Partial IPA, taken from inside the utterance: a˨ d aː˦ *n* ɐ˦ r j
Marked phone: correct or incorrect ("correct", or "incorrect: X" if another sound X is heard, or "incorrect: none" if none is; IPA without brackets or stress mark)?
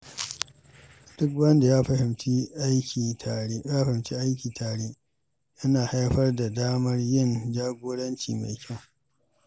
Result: incorrect: m